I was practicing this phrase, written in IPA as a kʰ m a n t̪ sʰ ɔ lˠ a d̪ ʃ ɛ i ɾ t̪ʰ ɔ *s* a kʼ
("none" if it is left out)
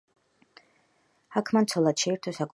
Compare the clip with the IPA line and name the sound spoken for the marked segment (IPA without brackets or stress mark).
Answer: s